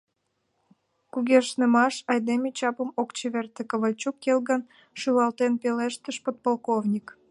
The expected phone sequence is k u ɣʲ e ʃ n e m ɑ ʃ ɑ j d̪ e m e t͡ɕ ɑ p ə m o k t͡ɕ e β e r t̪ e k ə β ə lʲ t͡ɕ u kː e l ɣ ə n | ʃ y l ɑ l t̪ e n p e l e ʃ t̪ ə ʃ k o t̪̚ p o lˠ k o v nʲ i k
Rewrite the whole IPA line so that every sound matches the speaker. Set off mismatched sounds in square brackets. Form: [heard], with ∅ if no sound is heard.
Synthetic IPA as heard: k u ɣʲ e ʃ n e m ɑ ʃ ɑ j d̪ e m e t͡ɕ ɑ p ə m o k t͡ɕ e β e r t̪ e k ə β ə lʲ t͡ɕ u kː e l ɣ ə n | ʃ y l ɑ l t̪ e n p e l e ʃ t̪ ə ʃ [p] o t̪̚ p o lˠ k o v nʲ i k